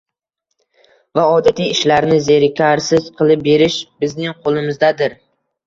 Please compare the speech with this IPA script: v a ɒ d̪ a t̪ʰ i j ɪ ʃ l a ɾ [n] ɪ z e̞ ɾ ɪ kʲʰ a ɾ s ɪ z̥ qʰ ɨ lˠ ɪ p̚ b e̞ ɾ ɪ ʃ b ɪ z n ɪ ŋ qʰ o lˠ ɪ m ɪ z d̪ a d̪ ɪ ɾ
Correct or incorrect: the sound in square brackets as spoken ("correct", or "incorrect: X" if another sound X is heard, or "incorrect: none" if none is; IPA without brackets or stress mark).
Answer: correct